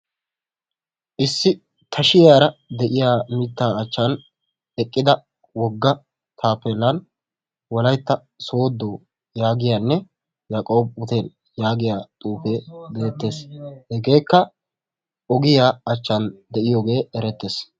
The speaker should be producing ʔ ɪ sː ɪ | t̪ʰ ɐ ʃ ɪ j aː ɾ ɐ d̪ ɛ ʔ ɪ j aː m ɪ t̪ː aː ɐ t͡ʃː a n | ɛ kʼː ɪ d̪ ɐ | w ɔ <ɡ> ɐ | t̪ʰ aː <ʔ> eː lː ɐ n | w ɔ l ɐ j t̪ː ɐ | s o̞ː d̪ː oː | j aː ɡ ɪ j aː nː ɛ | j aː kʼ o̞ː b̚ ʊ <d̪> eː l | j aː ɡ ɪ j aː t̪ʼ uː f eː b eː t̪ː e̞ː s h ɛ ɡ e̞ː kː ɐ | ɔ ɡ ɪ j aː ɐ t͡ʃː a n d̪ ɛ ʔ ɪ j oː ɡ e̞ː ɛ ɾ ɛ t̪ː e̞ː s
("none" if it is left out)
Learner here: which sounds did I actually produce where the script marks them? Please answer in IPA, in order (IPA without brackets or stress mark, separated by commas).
ɡː, p, t̪